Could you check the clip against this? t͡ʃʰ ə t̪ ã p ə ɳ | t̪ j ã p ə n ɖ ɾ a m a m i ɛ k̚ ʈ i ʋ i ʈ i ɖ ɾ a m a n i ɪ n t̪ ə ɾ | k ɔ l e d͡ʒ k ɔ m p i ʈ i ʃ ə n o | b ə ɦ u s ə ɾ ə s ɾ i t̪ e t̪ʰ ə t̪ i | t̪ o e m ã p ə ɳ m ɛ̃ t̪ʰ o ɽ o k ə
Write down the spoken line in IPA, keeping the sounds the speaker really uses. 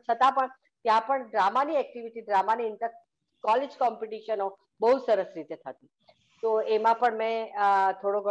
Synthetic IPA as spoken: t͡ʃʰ ə t̪ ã p ə ɳ | t̪ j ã p ə ɳ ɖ ɾ a m a n i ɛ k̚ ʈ i ʋ i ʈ i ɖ ɾ a m a n i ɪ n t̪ ə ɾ | k ɔ l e d͡ʒ k ɔ m p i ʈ i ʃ ə n o | b ə ɦ u s ə ɾ ə s ɾ i t̪ e t̪ʰ ə t̪ i | t̪ o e m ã p ə ɳ m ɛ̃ t̪ʰ o ɽ o ɡ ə